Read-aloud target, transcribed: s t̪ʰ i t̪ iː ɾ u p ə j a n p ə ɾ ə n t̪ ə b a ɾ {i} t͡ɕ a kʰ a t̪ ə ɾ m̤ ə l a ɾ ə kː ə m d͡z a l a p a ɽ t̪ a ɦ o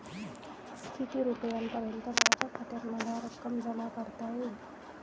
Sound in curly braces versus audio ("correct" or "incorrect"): incorrect